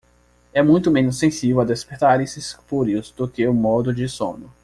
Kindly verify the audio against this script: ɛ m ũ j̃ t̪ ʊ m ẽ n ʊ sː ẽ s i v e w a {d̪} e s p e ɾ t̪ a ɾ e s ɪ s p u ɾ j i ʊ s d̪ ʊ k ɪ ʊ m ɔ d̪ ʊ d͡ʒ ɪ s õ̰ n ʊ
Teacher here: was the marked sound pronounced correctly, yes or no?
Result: yes